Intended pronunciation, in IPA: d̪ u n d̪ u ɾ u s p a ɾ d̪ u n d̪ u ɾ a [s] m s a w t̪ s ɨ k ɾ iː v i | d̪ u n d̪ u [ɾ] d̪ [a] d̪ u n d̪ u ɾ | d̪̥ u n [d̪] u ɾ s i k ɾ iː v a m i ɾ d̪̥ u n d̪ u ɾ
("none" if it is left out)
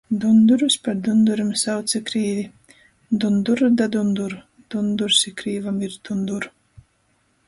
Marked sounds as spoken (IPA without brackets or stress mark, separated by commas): none, ɾ, a, d̪